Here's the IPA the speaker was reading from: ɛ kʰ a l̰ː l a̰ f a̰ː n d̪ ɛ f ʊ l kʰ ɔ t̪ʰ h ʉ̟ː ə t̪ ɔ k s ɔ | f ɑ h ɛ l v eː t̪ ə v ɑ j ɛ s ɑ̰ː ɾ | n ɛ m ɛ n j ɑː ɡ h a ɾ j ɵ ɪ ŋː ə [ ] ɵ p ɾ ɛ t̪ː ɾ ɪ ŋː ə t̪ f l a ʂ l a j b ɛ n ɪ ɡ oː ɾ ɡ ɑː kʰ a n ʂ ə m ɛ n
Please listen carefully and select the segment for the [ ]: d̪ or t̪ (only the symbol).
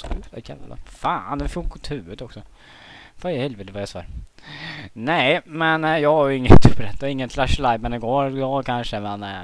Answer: t̪